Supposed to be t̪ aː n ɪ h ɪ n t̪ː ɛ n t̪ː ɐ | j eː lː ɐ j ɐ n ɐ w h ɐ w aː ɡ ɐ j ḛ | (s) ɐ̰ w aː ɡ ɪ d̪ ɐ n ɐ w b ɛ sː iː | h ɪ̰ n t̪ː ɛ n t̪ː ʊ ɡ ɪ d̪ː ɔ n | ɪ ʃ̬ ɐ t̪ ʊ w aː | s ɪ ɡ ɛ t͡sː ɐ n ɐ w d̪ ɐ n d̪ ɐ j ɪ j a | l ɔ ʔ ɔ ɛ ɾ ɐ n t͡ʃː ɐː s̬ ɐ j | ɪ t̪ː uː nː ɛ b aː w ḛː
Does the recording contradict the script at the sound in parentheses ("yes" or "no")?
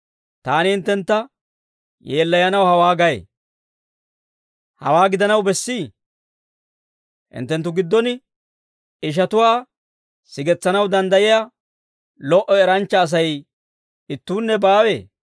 yes